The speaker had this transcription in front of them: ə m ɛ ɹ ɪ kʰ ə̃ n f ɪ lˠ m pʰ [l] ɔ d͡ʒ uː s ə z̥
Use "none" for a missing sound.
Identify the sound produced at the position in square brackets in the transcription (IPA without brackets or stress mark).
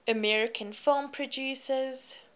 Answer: ɹ